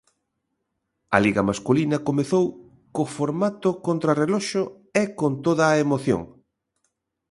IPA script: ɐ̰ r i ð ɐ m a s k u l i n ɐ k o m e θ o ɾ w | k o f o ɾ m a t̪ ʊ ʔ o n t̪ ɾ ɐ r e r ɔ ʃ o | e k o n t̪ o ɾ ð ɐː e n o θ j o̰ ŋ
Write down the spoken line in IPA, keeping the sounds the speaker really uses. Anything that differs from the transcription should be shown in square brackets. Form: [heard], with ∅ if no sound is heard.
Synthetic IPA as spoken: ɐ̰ [l] i [ɣ] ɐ m a s k u l i n ɐ k o m e θ o [∅] w | k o f o ɾ m a t̪ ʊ [k] o n t̪ ɾ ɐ r e [l] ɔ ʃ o | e k o n t̪ o [∅] ð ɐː e [m] o θ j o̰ ŋ